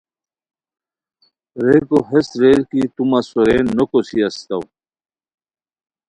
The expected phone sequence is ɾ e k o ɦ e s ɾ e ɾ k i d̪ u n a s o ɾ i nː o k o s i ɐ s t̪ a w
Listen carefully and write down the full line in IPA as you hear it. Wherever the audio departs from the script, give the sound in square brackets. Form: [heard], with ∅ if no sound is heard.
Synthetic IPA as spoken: ɾ e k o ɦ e s ɾ e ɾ k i [t̪] u [m] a s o ɾ [e] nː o k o s i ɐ s t̪ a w